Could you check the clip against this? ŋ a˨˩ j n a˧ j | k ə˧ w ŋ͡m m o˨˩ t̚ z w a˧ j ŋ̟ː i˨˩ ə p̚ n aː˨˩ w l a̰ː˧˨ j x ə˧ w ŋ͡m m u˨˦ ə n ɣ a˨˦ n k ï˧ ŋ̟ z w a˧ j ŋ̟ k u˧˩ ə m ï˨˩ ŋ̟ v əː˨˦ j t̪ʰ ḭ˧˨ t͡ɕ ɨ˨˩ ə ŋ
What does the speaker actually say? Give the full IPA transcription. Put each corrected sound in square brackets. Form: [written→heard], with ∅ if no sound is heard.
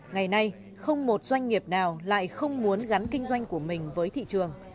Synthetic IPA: ŋ a˨˩ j n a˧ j | [k→x] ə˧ w ŋ͡m m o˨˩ t̚ z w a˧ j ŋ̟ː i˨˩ ə p̚ n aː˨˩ w l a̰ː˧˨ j x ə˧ w ŋ͡m m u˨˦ ə n ɣ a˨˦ n k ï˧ ŋ̟ z w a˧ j ŋ̟ k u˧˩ ə m ï˨˩ ŋ̟ v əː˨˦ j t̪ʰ ḭ˧˨ t͡ɕ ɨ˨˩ ə ŋ